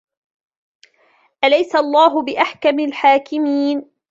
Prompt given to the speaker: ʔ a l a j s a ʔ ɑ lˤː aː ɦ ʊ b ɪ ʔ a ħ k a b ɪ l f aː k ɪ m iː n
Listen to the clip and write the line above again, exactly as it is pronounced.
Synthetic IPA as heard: ʔ a l a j s a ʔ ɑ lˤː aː ɦ ʊ b ɪ ʔ a ħ k a m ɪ l ħ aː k ɪ m iː n